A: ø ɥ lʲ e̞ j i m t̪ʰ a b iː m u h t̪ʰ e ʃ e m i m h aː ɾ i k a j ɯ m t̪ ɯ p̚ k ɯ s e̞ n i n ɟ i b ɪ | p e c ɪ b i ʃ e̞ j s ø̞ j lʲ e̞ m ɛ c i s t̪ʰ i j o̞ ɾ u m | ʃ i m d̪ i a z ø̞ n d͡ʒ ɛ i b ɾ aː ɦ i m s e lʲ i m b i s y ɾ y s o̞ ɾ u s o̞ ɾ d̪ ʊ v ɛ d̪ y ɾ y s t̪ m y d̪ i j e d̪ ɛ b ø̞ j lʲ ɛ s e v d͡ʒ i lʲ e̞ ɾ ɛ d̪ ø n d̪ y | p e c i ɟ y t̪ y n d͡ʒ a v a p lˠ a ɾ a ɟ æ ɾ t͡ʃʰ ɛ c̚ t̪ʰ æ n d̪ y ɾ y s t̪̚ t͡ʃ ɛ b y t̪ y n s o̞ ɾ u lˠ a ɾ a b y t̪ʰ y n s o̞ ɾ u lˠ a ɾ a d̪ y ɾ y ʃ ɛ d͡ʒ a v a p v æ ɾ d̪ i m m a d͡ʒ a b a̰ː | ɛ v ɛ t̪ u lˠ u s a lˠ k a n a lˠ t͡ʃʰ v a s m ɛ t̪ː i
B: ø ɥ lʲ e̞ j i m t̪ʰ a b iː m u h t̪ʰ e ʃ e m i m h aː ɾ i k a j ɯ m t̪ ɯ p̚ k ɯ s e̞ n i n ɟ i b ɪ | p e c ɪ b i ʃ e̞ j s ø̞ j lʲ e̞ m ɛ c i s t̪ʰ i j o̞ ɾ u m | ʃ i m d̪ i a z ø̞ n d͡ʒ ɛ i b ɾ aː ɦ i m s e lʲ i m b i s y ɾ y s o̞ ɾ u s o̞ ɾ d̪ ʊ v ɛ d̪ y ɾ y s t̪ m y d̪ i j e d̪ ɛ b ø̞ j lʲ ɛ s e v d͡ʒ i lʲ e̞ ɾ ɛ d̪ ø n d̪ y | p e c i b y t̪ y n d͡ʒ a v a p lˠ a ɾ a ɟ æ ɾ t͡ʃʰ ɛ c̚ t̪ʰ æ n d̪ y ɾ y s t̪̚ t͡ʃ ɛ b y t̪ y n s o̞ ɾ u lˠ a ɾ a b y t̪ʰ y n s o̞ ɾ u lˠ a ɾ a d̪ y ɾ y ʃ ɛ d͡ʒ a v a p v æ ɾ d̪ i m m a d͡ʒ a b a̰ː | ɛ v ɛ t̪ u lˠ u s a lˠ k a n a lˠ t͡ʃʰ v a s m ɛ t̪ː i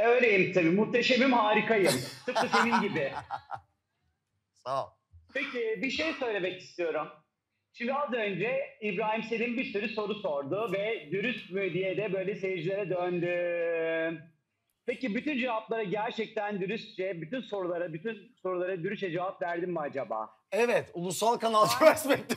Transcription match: B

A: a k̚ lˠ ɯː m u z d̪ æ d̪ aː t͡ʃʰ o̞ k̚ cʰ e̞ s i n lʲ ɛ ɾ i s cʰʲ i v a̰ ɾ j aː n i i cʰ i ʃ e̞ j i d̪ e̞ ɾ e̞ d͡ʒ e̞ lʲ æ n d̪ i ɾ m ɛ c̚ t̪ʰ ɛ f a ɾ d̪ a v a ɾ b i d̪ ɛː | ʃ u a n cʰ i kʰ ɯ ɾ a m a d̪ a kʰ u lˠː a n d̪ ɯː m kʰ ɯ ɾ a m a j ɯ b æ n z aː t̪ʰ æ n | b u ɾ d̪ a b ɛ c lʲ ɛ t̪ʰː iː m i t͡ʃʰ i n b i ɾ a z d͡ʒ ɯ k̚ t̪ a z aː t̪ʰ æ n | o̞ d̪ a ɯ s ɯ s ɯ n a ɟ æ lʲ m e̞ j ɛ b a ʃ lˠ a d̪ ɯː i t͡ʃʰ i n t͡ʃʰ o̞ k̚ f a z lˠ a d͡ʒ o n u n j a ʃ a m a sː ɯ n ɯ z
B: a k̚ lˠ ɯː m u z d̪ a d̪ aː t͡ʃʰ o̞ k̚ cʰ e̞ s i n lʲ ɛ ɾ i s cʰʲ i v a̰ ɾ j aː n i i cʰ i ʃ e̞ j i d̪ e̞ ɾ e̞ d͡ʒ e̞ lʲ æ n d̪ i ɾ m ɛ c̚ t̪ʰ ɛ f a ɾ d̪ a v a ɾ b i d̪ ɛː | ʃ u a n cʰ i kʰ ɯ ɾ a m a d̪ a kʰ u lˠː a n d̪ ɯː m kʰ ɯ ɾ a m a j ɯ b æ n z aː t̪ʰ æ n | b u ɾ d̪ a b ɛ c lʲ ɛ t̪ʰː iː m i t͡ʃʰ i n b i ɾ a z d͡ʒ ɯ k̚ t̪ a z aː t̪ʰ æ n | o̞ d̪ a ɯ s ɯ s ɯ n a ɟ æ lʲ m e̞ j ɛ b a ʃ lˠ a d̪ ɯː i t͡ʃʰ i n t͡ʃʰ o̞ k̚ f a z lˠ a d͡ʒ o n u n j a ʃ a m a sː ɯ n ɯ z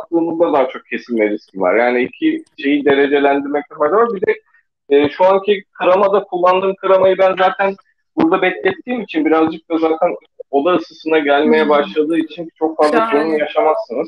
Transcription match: B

